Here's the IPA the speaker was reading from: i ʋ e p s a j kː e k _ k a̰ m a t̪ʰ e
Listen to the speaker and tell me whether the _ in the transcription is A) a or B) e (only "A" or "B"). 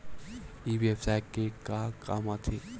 A